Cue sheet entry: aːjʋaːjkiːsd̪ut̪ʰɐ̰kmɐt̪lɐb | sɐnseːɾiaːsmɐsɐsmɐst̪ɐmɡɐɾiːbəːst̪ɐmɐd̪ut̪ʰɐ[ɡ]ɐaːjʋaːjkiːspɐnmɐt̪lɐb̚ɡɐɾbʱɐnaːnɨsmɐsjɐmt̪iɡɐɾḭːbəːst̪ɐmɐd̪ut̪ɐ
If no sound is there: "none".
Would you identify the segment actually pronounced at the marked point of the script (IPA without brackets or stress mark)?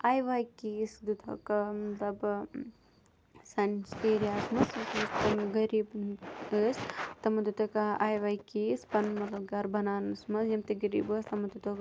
k